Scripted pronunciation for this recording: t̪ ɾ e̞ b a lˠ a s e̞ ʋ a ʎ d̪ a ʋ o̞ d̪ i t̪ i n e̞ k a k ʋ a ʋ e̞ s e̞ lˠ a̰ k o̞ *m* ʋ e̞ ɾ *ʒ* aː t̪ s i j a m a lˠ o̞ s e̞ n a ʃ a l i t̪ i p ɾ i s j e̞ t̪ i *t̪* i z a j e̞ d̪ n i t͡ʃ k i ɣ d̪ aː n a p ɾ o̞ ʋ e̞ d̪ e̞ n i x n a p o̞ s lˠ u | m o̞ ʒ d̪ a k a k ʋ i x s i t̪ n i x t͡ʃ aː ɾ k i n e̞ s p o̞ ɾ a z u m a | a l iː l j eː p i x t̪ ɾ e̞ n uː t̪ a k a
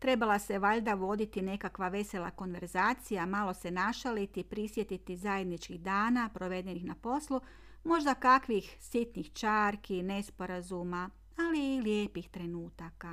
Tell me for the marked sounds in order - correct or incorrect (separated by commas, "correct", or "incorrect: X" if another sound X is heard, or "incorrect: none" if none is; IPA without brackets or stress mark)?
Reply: incorrect: n, incorrect: z, correct